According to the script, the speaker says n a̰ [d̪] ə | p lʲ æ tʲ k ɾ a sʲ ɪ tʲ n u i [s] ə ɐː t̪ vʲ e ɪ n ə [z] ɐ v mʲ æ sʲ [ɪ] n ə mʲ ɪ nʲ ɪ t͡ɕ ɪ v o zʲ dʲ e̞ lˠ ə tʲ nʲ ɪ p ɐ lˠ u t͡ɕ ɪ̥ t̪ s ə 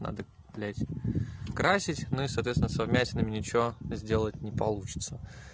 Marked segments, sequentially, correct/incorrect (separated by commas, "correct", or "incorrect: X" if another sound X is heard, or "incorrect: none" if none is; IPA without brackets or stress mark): correct, correct, incorrect: s, correct